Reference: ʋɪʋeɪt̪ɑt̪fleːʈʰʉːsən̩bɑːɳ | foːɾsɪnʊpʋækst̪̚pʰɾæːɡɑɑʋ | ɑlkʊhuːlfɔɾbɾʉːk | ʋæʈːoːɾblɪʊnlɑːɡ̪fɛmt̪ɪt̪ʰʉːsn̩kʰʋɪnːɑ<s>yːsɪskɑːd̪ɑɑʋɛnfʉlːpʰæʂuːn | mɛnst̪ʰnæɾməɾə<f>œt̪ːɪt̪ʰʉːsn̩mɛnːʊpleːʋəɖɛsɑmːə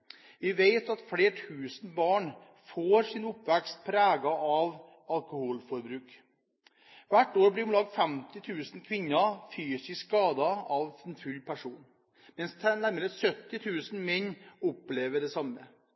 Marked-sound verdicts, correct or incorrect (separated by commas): incorrect, incorrect